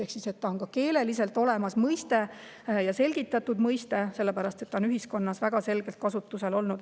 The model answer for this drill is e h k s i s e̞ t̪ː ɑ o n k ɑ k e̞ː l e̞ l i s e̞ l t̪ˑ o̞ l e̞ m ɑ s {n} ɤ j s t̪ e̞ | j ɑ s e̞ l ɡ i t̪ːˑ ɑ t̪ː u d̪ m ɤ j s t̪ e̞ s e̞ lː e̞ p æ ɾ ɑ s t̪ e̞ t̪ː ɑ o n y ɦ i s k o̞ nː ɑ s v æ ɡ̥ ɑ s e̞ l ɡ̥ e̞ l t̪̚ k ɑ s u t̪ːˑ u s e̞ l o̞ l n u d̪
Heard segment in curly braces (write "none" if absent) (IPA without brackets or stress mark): m